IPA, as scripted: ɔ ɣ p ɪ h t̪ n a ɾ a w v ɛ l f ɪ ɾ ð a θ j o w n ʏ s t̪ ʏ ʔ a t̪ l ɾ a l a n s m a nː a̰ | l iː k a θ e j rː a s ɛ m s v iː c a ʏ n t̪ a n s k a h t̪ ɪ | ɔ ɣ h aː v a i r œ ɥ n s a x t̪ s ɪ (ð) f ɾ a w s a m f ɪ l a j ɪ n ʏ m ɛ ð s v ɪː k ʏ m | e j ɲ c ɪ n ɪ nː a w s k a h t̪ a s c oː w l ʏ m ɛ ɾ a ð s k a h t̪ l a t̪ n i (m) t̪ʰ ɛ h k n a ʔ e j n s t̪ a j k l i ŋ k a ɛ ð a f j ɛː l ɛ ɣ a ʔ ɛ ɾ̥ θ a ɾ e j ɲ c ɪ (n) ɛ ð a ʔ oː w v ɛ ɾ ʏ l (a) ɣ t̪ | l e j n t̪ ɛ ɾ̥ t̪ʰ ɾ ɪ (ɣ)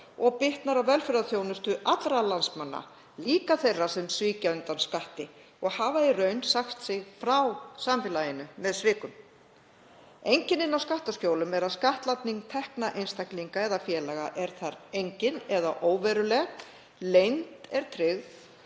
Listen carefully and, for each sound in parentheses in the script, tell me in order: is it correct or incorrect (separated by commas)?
incorrect, incorrect, correct, incorrect, correct